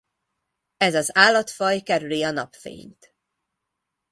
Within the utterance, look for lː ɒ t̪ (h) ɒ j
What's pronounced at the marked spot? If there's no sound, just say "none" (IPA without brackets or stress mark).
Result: f